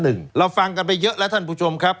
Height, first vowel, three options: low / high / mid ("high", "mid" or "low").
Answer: high